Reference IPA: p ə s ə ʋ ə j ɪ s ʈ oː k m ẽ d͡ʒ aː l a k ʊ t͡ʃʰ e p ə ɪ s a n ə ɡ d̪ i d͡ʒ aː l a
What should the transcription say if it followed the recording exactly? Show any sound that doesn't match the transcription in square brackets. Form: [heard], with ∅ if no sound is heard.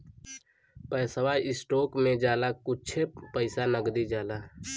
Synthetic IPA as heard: p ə s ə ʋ [a] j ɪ s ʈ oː k m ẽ d͡ʒ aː l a k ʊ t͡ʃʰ e p ə ɪ s a n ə ɡ d̪ i d͡ʒ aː l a